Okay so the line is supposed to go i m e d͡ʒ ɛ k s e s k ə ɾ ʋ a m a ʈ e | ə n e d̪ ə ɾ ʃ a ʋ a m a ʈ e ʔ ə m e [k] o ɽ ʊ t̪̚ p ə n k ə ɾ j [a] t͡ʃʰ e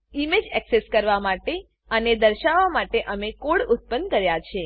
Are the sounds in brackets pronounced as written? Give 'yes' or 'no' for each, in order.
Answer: yes, yes

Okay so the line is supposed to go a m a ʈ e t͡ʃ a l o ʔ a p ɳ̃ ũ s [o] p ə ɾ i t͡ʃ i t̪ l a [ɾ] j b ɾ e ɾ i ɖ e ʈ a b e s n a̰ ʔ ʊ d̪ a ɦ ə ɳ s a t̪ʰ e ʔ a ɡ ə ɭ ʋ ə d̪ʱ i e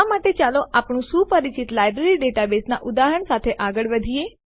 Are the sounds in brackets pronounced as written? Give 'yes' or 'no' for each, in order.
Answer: no, no

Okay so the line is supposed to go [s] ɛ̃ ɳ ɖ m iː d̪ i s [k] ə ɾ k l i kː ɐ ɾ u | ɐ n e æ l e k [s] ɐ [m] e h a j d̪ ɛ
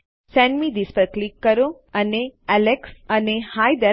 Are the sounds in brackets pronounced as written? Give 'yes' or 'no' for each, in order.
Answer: yes, no, yes, no

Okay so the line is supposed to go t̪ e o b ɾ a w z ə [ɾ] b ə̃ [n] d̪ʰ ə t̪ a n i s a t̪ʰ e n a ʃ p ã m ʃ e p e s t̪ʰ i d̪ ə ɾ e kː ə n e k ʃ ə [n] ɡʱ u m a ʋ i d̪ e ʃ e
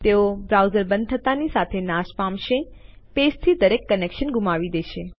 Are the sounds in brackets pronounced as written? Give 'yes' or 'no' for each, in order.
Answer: yes, yes, yes

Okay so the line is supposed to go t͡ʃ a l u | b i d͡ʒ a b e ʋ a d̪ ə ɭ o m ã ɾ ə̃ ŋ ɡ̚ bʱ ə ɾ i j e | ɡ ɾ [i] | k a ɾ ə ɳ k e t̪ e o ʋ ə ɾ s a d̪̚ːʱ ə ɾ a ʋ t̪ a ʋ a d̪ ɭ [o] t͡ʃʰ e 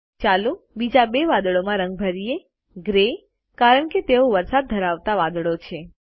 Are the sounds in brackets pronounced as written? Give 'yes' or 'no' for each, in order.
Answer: no, yes

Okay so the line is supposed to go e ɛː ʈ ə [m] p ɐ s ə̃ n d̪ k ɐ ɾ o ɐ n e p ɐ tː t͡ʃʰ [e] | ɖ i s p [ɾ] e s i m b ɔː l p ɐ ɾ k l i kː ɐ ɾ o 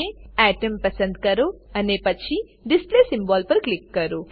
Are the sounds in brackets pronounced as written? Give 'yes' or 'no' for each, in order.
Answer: yes, no, no

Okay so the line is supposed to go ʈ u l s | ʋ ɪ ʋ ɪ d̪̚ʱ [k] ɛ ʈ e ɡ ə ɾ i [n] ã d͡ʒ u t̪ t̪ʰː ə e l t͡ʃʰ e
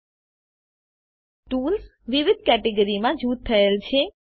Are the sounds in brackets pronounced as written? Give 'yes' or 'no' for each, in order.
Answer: yes, no

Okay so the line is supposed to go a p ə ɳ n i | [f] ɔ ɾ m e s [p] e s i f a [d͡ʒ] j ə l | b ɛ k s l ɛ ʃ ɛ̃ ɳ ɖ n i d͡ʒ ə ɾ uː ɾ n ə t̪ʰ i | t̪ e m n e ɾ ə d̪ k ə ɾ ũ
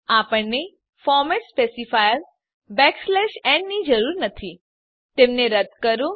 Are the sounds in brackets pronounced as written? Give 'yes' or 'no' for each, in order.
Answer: yes, yes, no

